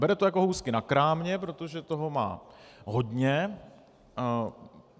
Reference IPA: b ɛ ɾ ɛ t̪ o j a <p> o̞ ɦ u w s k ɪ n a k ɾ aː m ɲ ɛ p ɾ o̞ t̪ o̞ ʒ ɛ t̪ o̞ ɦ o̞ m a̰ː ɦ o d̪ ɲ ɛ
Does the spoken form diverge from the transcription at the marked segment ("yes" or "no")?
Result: yes